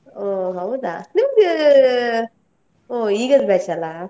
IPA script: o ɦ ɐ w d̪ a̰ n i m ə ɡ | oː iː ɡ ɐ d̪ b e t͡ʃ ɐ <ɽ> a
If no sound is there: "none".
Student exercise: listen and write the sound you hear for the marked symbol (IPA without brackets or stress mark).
l